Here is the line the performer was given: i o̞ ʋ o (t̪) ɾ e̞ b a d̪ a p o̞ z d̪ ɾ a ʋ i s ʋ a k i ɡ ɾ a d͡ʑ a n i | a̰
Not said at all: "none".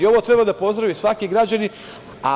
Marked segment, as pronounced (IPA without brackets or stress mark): t̪